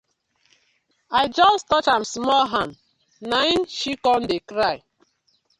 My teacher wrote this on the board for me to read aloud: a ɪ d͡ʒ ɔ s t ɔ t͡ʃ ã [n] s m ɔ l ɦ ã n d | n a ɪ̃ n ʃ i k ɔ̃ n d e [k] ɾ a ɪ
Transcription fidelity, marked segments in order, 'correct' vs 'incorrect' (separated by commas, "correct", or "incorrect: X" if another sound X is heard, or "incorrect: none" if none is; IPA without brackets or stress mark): incorrect: m, correct